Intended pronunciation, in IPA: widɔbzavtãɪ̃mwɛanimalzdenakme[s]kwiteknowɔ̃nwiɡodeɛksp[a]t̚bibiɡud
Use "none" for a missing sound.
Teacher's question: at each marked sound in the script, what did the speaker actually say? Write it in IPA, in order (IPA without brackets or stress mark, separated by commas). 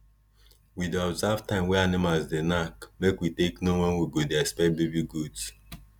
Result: none, ɛ